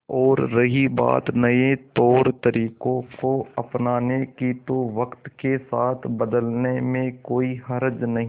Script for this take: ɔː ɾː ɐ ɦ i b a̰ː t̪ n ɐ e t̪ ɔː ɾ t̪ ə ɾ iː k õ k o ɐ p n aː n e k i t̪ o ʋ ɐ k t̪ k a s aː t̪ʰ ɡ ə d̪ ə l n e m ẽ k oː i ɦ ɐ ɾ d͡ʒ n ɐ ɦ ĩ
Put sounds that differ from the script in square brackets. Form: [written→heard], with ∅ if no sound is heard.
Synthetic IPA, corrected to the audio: ɔː ɾː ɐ ɦ i b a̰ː t̪ n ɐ e t̪ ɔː ɾ t̪ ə ɾ iː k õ k o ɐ p n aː n e k i t̪ o ʋ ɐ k t̪ k [a→e] s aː t̪ʰ [ɡ→b] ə d̪ ə l n e m ẽ k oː i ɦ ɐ ɾ d͡ʒ n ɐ ɦ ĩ